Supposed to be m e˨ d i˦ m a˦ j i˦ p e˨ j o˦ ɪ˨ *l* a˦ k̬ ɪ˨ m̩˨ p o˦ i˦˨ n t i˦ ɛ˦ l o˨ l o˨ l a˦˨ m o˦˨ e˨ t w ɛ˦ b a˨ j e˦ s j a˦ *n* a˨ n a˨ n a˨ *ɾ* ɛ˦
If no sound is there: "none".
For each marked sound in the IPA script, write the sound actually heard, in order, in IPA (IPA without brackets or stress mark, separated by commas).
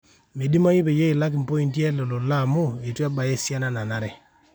l, n, ɾ